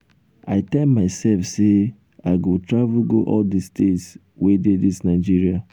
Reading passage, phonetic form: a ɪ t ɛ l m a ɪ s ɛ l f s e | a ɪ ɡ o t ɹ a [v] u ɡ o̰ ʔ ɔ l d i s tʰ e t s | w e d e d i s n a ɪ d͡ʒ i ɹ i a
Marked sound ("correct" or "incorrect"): correct